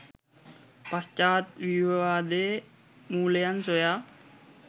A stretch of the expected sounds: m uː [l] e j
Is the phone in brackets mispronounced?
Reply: no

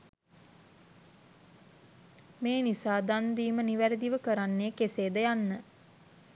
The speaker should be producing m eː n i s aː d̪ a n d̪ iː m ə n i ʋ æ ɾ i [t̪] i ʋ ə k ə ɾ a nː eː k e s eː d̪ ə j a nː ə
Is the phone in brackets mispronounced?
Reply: yes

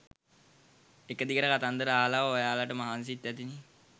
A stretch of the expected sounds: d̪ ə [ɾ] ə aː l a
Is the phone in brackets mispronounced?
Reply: no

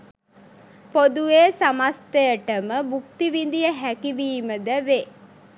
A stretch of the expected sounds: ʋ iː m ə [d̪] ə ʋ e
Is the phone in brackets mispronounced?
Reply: no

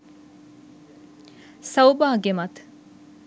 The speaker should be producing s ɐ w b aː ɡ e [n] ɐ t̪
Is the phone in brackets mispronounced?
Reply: yes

